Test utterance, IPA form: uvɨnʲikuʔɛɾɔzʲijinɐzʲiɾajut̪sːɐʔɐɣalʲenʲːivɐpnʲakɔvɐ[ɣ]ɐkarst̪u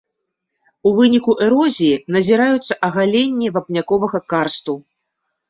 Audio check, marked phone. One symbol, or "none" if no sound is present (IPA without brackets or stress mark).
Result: ɣ